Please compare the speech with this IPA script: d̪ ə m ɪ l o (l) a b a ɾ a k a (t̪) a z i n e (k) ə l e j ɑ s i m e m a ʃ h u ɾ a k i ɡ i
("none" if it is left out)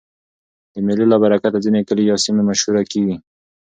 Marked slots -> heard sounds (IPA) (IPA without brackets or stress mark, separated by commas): l, t̪, k